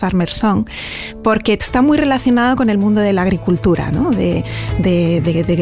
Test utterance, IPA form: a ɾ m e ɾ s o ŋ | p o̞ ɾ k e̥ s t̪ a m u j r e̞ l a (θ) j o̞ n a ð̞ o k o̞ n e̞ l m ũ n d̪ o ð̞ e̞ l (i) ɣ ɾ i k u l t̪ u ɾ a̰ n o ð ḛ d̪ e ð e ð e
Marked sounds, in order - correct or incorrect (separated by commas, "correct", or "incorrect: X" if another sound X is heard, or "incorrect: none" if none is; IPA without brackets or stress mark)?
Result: correct, incorrect: a